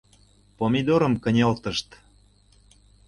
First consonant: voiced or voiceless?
voiceless